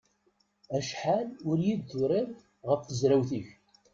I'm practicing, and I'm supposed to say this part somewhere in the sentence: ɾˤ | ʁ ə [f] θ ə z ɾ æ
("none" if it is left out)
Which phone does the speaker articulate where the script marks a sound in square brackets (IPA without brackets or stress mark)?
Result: f